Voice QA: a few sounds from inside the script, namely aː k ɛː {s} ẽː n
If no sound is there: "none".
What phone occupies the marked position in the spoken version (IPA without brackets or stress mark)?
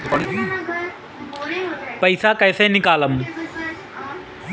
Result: s